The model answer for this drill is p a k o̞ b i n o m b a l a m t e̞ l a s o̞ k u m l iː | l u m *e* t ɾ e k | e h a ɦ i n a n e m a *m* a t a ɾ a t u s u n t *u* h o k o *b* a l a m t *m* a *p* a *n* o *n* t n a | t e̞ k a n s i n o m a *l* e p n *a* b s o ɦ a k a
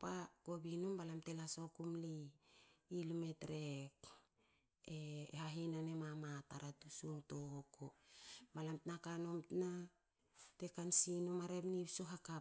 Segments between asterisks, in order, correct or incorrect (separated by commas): correct, correct, incorrect, correct, incorrect, incorrect, correct, incorrect, incorrect, incorrect